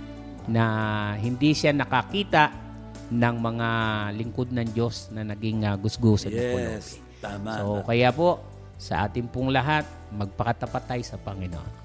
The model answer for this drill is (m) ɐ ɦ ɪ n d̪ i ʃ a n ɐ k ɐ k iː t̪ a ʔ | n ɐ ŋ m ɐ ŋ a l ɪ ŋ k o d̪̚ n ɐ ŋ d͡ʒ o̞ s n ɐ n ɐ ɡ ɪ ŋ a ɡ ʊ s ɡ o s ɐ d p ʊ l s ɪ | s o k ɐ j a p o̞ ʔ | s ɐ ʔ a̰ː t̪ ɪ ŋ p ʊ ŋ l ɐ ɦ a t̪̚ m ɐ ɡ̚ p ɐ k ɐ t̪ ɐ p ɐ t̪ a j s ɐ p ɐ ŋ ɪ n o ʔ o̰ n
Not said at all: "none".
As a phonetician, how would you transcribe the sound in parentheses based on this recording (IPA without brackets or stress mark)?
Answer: n